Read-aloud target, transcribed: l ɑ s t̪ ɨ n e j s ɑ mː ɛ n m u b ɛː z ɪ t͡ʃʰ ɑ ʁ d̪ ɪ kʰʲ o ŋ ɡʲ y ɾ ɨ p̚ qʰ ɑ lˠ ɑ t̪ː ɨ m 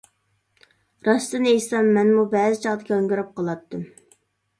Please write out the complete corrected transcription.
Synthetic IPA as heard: ɾ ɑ s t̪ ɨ n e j s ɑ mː ɛ n m u b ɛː z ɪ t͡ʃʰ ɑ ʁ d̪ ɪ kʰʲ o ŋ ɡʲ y ɾ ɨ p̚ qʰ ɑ lˠ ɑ t̪ː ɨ m